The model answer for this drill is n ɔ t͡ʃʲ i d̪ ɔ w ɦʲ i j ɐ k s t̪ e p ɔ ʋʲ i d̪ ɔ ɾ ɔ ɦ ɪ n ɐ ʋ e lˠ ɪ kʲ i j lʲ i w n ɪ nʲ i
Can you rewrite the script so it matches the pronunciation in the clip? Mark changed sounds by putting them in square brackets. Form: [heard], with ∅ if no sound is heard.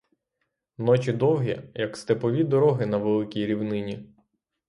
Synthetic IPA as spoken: n ɔ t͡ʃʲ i d̪ ɔ w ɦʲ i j ɐ k s t̪ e p ɔ ʋʲ i d̪ ɔ ɾ ɔ ɦ ɪ n ɐ ʋ e lˠ ɪ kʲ i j [ɾʲ] i w n ɪ nʲ i